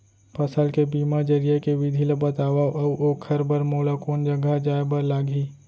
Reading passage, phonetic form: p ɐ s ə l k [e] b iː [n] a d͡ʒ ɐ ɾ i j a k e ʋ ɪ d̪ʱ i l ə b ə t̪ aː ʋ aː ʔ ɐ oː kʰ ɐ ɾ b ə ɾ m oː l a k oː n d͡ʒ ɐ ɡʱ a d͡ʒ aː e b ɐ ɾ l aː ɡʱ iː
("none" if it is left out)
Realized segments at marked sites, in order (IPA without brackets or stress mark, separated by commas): e, m